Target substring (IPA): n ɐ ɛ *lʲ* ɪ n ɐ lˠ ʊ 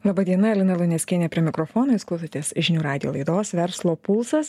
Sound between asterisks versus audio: correct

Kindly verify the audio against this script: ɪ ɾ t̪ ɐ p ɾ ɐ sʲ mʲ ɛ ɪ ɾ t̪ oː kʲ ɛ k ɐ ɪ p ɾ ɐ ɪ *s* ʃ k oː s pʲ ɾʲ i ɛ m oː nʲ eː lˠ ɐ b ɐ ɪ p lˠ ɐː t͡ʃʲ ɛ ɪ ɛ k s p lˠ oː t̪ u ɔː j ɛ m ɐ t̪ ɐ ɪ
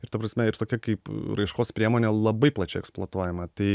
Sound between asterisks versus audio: incorrect: none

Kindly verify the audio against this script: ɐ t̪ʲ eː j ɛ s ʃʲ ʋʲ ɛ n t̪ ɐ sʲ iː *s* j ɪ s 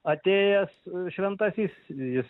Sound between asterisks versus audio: correct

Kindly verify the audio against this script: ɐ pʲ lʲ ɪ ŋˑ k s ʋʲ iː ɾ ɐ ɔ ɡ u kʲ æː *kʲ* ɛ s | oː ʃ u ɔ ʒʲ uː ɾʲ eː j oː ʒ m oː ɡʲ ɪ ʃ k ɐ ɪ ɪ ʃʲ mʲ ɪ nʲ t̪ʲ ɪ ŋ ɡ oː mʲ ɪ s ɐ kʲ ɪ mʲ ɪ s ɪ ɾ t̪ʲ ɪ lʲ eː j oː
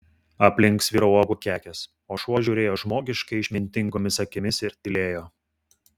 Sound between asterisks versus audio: correct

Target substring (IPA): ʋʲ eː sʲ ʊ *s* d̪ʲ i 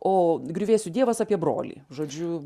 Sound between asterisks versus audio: incorrect: none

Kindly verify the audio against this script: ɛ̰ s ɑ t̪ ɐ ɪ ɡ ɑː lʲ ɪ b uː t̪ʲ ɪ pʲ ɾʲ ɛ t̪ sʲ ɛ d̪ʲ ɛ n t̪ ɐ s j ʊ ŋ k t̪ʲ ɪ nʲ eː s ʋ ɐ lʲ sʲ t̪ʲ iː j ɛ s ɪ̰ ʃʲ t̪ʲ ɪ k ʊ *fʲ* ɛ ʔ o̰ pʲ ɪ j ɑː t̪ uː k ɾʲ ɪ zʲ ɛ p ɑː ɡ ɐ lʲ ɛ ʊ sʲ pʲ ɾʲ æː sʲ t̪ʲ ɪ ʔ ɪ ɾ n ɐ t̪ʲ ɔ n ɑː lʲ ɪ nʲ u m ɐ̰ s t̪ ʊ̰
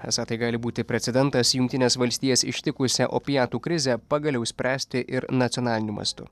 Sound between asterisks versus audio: incorrect: sʲ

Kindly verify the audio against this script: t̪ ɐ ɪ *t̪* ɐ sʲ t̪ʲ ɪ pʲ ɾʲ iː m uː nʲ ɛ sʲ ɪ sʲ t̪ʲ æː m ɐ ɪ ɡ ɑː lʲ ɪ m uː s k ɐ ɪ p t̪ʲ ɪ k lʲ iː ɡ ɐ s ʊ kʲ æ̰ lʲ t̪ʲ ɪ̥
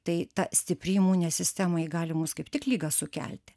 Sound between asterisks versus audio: correct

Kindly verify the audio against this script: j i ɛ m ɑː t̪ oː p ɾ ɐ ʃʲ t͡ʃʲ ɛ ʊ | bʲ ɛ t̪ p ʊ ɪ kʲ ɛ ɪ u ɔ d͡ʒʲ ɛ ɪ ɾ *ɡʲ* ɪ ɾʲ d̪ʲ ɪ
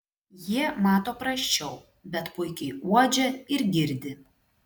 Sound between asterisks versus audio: correct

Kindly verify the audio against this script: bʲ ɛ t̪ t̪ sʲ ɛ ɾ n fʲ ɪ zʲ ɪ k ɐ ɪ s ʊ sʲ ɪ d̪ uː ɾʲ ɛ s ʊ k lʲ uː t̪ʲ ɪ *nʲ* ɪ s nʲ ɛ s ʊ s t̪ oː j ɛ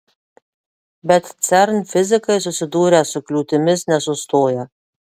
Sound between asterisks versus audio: incorrect: mʲ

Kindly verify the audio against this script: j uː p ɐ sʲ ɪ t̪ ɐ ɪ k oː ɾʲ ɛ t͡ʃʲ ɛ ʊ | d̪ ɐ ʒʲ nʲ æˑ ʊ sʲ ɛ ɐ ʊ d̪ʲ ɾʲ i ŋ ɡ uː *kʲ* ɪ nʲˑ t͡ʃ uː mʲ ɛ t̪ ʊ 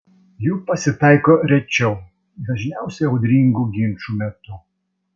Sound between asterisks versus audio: incorrect: ɡʲ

